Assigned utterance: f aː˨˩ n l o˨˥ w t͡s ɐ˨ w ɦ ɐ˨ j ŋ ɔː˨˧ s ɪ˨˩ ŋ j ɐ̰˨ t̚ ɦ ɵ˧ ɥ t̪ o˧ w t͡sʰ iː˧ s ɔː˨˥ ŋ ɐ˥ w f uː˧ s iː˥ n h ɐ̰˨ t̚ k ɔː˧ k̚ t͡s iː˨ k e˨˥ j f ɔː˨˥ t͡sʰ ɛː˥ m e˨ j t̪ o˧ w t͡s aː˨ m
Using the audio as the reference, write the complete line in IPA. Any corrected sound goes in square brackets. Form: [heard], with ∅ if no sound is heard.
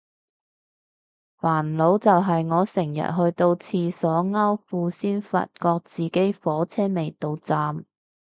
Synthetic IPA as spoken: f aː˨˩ n l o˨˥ w t͡s ɐ˨ w ɦ ɐ˨ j ŋ ɔː˨˧ s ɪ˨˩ ŋ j ɐ̰˨ t̚ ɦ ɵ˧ ɥ t̪ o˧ w t͡sʰ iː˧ s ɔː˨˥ ŋ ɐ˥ w f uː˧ s iː˥ n [f] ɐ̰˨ t̚ k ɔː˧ k̚ t͡s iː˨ k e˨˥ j f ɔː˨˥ t͡sʰ ɛː˥ m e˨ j t̪ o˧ w t͡s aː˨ m